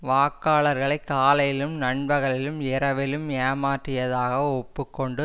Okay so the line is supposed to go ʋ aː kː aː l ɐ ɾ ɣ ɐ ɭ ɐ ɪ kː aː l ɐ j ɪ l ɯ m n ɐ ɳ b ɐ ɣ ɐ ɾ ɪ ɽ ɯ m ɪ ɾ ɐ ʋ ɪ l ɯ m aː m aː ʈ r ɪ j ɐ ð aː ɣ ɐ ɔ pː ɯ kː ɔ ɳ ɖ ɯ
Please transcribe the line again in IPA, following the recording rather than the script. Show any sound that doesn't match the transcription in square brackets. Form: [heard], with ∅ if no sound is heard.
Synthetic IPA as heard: ʋ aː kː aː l ɐ ɾ ɣ ɐ ɭ ɐ ɪ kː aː l ɐ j ɪ l ɯ m n ɐ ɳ b ɐ ɣ ɐ [ɭ] ɪ [l] ɯ m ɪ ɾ ɐ ʋ ɪ l ɯ m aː m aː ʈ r ɪ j ɐ ð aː ɣ ɐ ɔ pː ɯ kː ɔ ɳ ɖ ɯ